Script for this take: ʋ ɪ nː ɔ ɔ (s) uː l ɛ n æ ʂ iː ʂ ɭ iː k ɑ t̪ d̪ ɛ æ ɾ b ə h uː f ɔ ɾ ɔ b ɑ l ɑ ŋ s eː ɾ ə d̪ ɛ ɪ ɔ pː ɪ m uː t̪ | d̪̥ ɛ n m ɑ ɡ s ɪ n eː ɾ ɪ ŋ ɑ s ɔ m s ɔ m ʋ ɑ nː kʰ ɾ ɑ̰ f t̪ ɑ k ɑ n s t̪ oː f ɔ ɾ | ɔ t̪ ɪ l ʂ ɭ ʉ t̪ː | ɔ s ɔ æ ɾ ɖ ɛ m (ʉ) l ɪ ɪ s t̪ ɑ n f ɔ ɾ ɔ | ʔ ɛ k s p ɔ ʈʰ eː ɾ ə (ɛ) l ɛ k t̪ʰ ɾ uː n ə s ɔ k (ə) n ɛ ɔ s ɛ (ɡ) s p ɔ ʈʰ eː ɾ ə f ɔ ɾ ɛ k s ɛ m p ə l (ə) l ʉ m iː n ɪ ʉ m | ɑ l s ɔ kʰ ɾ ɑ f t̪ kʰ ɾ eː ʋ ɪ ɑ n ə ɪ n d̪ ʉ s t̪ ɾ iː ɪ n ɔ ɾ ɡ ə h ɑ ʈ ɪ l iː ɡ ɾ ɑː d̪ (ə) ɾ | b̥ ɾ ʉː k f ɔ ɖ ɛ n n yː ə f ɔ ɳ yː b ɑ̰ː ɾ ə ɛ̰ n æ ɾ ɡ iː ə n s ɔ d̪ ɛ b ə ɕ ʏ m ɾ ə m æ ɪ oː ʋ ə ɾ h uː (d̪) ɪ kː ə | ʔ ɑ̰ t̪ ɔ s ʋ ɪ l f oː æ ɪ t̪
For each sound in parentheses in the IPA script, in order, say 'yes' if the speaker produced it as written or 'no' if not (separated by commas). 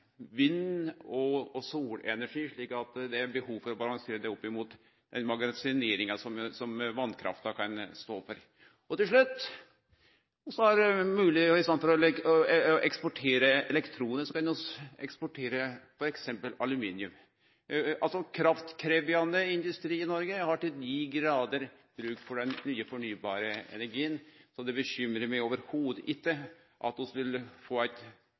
yes, no, yes, no, no, no, yes, yes